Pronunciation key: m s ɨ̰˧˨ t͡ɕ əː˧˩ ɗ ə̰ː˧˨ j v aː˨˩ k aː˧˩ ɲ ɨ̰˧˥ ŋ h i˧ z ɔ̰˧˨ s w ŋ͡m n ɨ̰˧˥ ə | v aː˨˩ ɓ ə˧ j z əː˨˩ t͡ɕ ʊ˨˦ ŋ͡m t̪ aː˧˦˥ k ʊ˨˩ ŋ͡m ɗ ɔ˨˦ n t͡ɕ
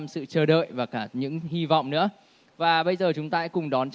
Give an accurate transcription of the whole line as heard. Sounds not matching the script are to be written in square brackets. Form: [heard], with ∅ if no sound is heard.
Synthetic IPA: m s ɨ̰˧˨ t͡ɕ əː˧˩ ɗ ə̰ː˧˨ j v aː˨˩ k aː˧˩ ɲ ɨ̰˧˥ ŋ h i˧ [v] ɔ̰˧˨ [∅] w ŋ͡m n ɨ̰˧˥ ə | v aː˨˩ ɓ ə˧ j z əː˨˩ t͡ɕ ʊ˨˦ ŋ͡m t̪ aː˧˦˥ k ʊ˨˩ ŋ͡m ɗ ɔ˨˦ n t͡ɕ